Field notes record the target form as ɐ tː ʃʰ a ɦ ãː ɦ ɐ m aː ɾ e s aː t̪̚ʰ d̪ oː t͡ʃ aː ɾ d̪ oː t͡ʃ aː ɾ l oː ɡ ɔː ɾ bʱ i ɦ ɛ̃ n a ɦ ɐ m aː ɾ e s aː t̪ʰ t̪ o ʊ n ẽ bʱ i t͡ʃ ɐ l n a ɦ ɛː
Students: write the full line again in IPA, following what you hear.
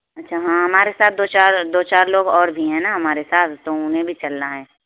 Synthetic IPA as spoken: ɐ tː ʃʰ a ɦ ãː ɦ ɐ m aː ɾ e s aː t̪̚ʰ d̪ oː t͡ʃ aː ɾ d̪ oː t͡ʃ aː ɾ l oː ɡ ɔː ɾ bʱ i ɦ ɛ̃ n a ɦ ɐ m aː ɾ e s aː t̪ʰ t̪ o ʊ n ẽ bʱ i t͡ʃ ɐ l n a ɦ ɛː